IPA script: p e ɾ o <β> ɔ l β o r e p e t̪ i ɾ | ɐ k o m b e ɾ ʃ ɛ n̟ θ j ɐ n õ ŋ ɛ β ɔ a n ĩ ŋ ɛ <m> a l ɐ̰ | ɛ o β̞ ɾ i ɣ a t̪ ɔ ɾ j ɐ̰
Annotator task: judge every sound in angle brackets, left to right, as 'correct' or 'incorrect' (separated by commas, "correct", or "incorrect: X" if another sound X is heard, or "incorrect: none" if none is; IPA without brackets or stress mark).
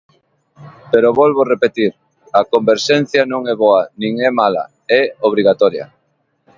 correct, correct